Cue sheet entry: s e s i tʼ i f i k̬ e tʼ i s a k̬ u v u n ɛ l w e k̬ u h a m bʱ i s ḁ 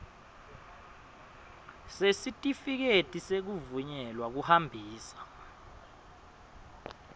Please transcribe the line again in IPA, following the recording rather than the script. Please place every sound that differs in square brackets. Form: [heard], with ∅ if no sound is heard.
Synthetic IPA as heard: s e s i tʼ i f i k̬ e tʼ i s [e] k̬ u v u [ɲ] ɛ l w [a] k̬ u h a m bʱ [iː] s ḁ